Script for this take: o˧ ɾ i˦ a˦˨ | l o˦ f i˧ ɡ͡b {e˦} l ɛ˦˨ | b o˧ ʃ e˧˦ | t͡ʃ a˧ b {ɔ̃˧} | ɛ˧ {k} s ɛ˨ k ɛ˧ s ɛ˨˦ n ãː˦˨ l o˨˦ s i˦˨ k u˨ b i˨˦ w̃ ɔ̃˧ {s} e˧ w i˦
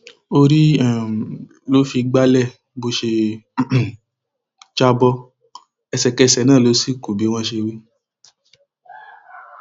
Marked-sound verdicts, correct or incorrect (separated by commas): incorrect, incorrect, incorrect, incorrect